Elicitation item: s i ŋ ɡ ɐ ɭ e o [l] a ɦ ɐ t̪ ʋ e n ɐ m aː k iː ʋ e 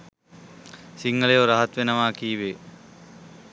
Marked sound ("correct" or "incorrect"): incorrect